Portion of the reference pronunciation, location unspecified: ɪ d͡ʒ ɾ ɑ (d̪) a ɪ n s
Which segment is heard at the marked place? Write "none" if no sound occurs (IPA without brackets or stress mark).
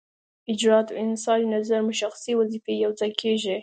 t̪